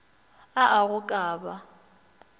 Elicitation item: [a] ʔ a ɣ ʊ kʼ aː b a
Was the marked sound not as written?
no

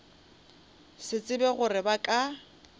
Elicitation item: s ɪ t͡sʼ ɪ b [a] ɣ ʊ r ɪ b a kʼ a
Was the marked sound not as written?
yes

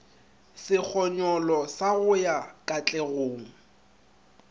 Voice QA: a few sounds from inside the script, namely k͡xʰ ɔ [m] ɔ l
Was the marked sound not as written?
yes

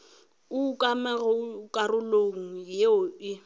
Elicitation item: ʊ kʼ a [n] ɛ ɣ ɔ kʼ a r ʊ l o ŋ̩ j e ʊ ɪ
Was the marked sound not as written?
yes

